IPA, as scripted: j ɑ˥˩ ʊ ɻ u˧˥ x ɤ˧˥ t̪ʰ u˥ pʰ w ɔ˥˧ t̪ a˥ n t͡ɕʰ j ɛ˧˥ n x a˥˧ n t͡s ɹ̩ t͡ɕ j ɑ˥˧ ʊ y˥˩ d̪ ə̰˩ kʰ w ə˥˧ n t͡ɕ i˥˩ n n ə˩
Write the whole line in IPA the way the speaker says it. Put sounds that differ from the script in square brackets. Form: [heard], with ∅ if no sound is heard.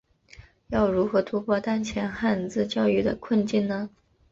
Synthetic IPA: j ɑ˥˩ ʊ ɻ u˧˥ x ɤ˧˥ t̪ʰ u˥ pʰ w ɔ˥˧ t̪ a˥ n t͡ɕʰ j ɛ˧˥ n x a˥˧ n t͡s ɹ̩ t͡ɕ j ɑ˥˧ ʊ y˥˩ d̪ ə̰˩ kʰ w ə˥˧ n t͡ɕ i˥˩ n n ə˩